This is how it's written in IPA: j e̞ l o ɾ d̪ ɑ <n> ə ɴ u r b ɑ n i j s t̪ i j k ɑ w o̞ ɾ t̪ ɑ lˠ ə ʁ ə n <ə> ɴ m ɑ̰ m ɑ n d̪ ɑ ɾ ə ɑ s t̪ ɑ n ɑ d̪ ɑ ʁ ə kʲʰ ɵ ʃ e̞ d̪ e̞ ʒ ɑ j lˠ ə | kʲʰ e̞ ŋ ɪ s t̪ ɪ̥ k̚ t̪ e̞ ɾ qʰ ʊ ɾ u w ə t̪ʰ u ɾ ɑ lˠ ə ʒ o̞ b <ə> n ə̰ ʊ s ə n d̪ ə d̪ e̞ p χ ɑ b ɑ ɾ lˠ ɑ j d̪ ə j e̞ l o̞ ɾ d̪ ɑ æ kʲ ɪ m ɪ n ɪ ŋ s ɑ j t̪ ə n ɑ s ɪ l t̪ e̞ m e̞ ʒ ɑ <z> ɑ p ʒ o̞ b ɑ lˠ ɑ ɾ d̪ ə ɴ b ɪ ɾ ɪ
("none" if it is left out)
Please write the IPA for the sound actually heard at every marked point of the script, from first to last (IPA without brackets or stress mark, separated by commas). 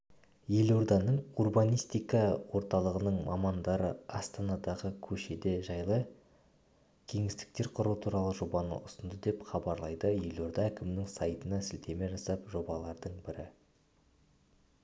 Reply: n, ə, ɑ, s